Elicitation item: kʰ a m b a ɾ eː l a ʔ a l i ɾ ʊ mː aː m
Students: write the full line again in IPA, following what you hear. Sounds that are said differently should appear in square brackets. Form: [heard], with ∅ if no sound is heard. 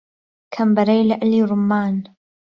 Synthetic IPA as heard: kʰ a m b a ɾ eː l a ʔ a l i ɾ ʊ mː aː [n]

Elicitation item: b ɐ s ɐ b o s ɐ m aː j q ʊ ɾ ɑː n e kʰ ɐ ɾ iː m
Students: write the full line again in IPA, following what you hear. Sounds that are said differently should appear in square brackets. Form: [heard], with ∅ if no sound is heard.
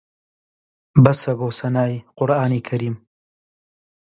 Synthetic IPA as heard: b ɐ s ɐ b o s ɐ [n] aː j q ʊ ɾ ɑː n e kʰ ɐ ɾ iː m

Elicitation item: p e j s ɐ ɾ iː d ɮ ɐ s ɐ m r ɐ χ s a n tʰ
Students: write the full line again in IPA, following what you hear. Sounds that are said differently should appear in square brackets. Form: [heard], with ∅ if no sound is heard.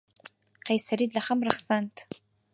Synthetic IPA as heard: [q] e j s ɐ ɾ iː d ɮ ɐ [χ] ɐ m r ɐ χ s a n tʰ

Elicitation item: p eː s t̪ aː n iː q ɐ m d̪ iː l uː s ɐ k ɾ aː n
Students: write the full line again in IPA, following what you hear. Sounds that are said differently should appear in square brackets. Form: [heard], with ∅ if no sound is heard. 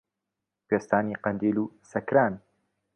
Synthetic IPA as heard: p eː s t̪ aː n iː q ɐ [n] d̪ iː l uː s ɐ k ɾ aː n

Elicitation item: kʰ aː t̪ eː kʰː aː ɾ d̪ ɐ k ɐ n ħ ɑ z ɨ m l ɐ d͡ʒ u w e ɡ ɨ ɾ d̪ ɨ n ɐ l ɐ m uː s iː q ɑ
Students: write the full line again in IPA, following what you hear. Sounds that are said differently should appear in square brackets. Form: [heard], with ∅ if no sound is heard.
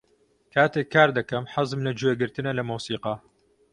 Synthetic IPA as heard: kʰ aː t̪ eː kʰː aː ɾ d̪ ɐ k ɐ [m] ħ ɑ z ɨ m l ɐ d͡ʒ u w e ɡ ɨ ɾ [t̪] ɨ n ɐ l ɐ m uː s iː q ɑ

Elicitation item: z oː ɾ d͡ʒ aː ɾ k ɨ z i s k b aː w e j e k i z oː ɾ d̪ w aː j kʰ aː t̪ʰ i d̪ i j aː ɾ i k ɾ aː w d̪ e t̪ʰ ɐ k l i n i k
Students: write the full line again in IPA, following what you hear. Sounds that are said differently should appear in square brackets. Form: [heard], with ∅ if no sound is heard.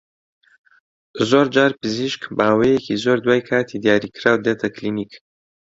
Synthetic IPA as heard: z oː ɾ d͡ʒ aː ɾ [p] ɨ z i [ʃ] k b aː w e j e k i z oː ɾ d̪ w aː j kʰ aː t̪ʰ i d̪ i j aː ɾ i k ɾ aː w d̪ e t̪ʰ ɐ k l i n i k

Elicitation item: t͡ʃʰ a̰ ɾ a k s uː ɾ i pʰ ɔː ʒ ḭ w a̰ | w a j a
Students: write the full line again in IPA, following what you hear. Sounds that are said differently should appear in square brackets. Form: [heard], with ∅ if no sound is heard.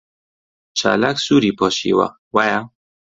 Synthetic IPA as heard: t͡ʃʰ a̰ [l] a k s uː ɾ i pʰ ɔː [ʃ] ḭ w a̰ | w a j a

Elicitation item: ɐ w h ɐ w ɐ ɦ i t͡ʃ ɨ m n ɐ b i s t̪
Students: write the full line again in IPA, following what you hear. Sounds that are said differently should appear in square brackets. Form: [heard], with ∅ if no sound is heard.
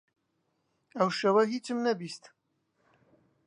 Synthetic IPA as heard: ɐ w [ʃ] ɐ w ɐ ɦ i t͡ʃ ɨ m n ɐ b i s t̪

